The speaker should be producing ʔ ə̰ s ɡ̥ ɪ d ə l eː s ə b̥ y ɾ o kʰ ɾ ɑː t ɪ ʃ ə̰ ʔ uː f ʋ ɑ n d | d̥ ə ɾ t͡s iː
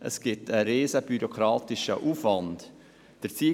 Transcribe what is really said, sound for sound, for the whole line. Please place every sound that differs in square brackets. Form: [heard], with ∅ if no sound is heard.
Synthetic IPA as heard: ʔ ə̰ s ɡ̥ ɪ [t] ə [ɾ] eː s ə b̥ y ɾ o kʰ ɾ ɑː t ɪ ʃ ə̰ ʔ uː f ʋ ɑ n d | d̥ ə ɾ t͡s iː